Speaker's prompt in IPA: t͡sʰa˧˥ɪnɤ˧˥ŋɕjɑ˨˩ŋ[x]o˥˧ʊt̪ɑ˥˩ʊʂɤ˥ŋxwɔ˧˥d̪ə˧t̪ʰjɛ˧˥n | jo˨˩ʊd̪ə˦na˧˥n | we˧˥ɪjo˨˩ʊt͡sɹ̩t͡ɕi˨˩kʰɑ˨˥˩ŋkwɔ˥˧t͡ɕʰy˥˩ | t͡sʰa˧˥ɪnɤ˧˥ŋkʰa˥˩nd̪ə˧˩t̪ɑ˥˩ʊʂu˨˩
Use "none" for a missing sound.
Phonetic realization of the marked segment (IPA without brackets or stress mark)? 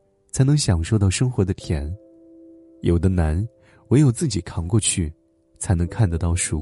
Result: ʂ